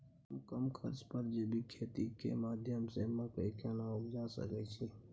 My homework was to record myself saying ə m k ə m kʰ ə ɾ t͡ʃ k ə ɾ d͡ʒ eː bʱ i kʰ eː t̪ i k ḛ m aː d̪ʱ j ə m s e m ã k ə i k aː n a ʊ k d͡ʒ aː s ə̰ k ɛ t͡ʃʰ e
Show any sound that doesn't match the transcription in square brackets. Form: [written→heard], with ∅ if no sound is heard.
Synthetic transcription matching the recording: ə m k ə m kʰ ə ɾ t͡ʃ [k→p] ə ɾ d͡ʒ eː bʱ i kʰ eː t̪ i k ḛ m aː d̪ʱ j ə m s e m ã k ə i k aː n a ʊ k d͡ʒ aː s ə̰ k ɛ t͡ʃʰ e